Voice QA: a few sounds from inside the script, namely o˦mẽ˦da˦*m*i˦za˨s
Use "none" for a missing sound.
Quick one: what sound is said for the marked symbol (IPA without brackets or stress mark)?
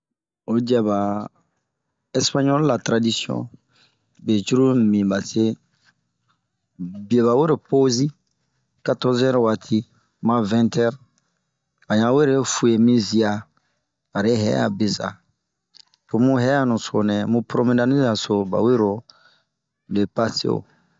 n